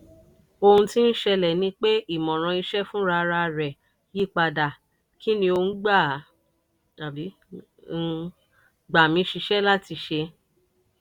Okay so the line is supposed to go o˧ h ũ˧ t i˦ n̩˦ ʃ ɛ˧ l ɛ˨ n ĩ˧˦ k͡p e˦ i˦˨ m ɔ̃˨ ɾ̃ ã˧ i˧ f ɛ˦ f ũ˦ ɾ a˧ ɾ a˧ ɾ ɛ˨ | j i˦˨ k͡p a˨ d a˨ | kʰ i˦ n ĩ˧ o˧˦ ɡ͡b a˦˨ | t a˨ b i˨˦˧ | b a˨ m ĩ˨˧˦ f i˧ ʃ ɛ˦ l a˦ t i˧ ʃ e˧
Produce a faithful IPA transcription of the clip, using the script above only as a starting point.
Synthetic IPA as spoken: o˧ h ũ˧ t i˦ n̩˦ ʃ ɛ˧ l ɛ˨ n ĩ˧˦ k͡p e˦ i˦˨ m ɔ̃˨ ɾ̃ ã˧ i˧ ʃ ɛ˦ f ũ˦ ɾ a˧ ɾ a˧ ɾ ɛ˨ | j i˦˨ k͡p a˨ d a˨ | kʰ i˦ n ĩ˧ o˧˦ ɡ͡b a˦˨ | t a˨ b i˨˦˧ | ɡ͡b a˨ m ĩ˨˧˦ ʃ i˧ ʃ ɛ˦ l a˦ t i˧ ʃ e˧